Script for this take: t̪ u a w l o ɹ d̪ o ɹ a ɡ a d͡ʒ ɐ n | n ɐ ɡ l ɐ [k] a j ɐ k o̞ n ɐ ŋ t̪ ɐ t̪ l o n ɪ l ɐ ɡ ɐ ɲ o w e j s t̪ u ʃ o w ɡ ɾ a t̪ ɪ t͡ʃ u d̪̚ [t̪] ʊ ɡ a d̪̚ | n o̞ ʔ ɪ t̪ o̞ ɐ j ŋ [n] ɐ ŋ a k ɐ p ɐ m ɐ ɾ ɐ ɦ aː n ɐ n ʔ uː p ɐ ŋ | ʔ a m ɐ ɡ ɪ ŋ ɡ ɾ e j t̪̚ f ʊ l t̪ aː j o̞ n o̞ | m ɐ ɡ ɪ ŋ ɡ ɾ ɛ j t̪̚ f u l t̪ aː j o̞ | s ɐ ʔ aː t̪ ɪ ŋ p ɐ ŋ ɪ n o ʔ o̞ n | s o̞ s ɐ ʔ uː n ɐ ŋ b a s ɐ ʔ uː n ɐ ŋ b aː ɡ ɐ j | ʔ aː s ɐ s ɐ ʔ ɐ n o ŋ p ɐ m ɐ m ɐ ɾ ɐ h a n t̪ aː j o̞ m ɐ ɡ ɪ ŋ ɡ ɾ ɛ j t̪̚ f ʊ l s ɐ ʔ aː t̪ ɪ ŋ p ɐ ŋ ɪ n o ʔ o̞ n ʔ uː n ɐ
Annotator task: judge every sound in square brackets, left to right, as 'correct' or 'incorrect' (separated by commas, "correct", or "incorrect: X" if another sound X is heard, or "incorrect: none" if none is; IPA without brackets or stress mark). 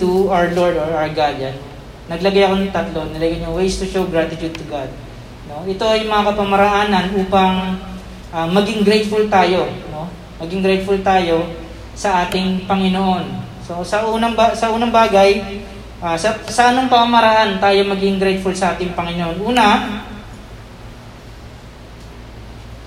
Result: incorrect: ɡ, correct, incorrect: m